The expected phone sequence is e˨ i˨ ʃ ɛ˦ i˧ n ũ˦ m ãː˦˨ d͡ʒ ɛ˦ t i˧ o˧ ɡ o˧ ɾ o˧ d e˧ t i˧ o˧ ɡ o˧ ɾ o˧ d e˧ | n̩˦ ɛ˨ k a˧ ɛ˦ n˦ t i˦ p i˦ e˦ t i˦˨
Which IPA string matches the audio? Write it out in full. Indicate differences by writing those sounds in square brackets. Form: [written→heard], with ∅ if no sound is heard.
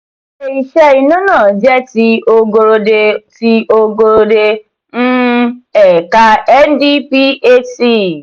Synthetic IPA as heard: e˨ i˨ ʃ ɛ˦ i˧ n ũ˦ [m→n] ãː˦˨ d͡ʒ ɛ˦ t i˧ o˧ ɡ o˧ ɾ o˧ d e˧ t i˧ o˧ ɡ o˧ ɾ o˧ d e˧ | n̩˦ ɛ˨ k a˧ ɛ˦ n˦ [t→d] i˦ p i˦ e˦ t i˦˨